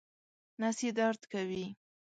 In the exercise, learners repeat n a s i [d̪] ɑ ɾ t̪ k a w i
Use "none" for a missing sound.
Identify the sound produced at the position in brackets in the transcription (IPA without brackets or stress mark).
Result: d̪